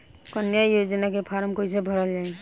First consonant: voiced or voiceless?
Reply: voiceless